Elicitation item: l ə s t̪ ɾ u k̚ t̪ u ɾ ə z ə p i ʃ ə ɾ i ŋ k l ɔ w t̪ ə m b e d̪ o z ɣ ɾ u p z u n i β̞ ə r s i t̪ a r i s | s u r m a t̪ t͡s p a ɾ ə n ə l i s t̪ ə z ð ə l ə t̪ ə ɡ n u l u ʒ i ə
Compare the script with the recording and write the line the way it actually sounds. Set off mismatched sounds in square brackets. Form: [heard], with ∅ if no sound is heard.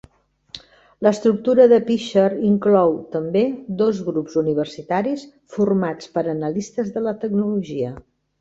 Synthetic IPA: l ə s t̪ ɾ u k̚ t̪ u ɾ ə [ð] ə p i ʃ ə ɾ i ŋ k l ɔ w t̪ ə m b e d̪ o z ɣ ɾ u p z u n i β̞ ə r s i t̪ a [ɾ] i s | [f] u r m a [∅] t͡s p [ə] ɾ ə n ə l i s t̪ ə z ð ə l ə t̪ ə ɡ n u l u ʒ i ə